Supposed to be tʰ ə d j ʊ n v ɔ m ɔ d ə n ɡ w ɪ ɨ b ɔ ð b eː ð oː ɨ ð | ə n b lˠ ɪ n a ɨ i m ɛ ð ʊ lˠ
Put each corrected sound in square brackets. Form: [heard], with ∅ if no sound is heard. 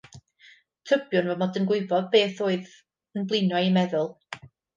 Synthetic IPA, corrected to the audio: tʰ ə [b] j ʊ n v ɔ m ɔ d ə n ɡ w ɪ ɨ b ɔ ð b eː [θ] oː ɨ ð | ə n b lˠ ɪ n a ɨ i m ɛ ð ʊ lˠ